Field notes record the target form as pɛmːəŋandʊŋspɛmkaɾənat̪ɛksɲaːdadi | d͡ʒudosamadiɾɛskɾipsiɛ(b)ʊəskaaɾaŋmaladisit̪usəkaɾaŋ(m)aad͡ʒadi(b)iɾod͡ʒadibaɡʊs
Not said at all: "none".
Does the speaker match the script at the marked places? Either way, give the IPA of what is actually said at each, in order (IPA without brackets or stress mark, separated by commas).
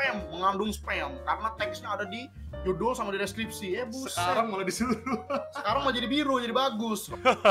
b, m, b